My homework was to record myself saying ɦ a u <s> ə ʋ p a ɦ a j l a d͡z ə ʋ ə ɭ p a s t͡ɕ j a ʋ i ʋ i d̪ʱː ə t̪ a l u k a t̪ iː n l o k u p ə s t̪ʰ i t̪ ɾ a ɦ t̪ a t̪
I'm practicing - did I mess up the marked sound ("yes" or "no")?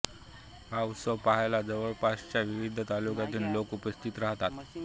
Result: no